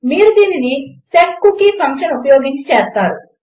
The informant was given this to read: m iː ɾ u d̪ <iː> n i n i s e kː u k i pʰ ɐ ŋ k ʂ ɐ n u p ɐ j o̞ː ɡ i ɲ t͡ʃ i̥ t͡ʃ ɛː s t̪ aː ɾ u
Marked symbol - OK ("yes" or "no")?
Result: yes